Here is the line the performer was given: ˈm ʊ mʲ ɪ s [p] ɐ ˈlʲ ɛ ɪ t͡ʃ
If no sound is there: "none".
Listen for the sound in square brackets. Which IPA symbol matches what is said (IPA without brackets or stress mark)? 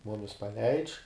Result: p